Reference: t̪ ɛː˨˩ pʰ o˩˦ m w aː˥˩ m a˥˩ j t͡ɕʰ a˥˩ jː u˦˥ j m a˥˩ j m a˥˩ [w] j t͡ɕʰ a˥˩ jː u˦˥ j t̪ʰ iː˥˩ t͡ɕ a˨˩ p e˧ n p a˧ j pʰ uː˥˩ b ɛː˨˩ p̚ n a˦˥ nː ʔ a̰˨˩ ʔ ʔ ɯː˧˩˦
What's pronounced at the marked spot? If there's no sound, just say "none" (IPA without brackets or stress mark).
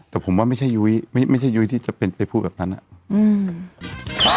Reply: none